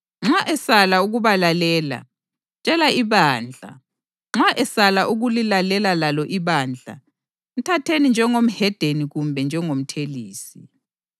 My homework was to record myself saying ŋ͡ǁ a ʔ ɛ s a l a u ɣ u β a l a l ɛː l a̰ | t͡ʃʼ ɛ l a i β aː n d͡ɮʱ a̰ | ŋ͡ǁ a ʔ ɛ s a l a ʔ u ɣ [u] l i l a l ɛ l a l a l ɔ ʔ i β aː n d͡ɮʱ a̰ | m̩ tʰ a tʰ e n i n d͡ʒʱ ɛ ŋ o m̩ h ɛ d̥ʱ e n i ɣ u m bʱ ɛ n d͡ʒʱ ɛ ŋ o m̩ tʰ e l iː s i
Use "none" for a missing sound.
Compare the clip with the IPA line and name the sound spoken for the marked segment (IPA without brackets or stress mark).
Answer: u